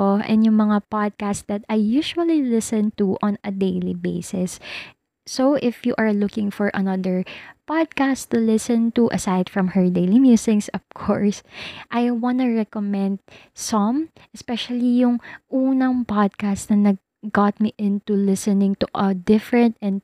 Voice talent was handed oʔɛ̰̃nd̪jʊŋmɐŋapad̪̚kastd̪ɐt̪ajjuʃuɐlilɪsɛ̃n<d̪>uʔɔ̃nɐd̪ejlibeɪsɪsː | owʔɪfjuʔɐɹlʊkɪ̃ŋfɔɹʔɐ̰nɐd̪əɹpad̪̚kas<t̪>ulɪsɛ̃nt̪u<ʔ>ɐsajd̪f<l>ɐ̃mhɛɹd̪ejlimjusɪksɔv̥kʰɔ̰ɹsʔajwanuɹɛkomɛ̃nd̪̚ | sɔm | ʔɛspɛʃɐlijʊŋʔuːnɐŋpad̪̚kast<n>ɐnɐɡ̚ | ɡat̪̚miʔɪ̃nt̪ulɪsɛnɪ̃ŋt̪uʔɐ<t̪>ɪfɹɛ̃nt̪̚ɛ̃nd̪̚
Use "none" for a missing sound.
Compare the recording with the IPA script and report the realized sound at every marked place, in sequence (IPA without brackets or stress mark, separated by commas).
t̪, t̪, ʔ, ɹ, n, d̪